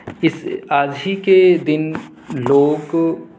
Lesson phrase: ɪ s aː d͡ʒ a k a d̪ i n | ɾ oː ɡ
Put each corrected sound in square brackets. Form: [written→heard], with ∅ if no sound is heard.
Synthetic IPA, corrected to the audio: ɪ s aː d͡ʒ [a→i] k [a→e] d̪ [i→ɪ] n | [ɾ→l] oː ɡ

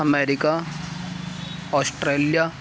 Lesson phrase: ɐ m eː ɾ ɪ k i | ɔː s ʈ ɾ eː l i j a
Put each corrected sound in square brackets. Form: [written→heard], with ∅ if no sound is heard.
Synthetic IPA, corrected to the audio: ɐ m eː ɾ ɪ k [i→a] | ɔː s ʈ ɾ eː l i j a

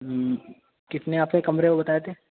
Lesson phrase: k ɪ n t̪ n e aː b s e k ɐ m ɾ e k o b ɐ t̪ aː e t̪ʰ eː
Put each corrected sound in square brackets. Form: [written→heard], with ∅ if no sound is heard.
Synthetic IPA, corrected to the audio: k ɪ [n→∅] t̪ n e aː [b→p] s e k ɐ m ɾ e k o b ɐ t̪ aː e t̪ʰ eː

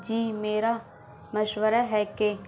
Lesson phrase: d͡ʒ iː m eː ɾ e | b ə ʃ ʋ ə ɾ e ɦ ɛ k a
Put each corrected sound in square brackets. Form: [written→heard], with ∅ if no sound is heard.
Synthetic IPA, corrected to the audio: d͡ʒ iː m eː ɾ [e→a] | [b→m] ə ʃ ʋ ə ɾ [e→a] ɦ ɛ k [a→e]

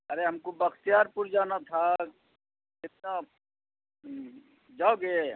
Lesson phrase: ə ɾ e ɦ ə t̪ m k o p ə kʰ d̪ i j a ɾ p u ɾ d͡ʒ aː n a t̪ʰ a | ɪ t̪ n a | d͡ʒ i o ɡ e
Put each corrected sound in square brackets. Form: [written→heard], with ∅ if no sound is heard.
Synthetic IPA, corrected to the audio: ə ɾ e ɦ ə [t̪→∅] m k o [p→b] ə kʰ [d̪→t̪] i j a ɾ p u ɾ d͡ʒ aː n a t̪ʰ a | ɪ t̪ n a | d͡ʒ [i→a] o ɡ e

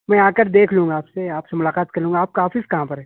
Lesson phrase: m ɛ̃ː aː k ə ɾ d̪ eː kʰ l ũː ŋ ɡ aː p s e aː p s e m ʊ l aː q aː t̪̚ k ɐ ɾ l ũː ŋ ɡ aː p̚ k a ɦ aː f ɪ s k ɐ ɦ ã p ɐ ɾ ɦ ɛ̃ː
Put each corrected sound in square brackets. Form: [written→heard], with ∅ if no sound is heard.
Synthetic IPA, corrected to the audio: m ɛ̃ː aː k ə ɾ d̪ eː kʰ l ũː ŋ ɡ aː p s e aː p s e m ʊ l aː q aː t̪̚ k ɐ ɾ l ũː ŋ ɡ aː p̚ k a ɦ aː f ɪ s k ɐ ɦ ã p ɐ ɾ ɦ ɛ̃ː

